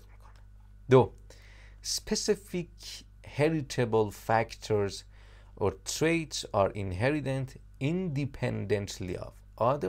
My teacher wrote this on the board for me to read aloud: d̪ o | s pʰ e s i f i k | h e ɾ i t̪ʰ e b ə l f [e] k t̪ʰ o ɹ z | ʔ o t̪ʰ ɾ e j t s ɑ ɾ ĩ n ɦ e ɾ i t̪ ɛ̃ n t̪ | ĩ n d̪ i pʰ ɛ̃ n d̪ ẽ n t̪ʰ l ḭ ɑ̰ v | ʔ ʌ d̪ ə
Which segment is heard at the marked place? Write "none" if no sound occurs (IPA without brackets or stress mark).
æ